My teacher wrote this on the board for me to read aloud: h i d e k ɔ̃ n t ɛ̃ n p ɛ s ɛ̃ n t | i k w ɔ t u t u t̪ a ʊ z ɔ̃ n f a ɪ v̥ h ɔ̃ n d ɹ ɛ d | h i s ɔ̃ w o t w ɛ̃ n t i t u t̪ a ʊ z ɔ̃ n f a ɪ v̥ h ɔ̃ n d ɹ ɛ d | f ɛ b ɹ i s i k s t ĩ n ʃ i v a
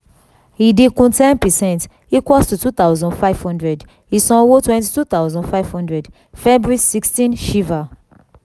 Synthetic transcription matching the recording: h i d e k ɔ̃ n t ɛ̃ n p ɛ s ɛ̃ n t | i k w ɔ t u t u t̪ a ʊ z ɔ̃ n f a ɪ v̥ h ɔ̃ n d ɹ ɛ d | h i s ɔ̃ w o t w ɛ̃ n t i t u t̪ a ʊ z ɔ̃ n f a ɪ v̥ h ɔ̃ n d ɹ ɛ d | f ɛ b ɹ i s i k s t ĩ n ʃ i v a